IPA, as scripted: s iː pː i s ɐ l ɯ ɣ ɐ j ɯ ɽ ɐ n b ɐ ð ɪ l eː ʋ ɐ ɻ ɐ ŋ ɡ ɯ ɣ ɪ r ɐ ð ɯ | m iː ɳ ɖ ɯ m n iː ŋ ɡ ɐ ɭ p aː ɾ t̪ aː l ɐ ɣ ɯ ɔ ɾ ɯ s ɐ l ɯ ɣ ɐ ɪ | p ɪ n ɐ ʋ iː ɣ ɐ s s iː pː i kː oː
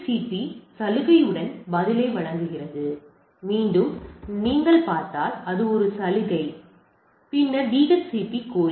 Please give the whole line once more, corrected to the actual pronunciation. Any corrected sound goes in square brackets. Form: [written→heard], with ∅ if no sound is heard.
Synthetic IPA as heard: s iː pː i s ɐ l ɯ ɣ ɐ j ɯ ɽ ɐ n b ɐ ð ɪ l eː ʋ ɐ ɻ ɐ ŋ ɡ ɯ ɣ ɪ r ɐ ð ɯ | m iː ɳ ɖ ɯ m n iː ŋ ɡ ɐ ɭ p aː ɾ t̪ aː l ɐ [ɣ→ð] ɯ ɔ ɾ ɯ s ɐ l ɯ ɣ ɐ ɪ | p ɪ [n→nː] ɐ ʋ iː ɣ ɐ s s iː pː i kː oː